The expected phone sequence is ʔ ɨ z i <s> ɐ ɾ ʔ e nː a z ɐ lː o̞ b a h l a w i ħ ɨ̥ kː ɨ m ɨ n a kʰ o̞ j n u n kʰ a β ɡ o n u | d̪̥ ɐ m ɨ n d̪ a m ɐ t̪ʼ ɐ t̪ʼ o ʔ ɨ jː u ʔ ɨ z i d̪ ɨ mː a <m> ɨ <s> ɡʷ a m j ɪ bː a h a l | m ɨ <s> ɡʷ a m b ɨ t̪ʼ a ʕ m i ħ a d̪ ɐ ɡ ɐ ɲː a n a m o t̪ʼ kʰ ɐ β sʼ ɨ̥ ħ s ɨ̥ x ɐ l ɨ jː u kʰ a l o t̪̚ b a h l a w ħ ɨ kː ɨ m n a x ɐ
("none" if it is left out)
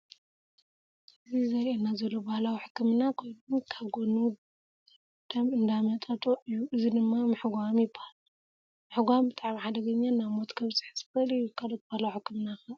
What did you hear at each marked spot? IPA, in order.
z, m, ħ, ħ

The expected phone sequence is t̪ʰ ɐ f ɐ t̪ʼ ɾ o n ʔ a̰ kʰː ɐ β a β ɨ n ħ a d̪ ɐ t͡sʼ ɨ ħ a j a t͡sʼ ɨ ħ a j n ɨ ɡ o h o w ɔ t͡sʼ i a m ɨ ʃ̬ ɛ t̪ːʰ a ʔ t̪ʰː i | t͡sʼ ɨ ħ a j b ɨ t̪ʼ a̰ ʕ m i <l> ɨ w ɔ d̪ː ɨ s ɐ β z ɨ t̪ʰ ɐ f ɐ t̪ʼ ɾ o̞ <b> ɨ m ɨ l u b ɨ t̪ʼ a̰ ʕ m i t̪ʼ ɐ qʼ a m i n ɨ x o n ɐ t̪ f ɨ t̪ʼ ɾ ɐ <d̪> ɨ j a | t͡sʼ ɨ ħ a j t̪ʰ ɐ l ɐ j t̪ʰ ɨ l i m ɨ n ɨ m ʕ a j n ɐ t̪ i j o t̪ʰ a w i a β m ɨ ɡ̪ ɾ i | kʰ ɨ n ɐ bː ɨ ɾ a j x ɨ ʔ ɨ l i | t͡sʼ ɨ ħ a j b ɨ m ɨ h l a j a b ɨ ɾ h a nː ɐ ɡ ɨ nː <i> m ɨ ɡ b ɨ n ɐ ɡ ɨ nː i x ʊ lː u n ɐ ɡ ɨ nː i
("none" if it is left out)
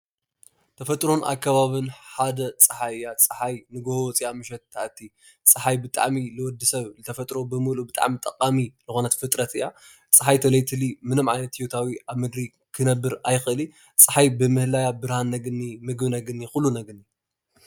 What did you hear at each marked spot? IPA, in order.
l, b, t̪, i

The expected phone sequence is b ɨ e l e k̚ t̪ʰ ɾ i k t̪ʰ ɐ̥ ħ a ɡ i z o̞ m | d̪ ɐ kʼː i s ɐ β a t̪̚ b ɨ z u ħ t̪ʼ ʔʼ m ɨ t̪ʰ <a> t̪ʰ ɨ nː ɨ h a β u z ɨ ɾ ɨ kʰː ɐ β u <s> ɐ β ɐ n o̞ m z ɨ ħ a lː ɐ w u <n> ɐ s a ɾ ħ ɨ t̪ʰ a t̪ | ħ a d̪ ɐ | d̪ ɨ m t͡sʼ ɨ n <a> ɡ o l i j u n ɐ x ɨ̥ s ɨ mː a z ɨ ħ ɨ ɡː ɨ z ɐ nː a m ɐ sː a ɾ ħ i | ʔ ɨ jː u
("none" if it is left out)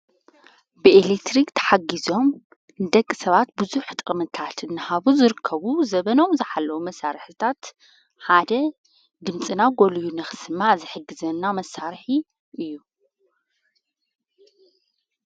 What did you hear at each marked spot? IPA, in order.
a, z, m, a

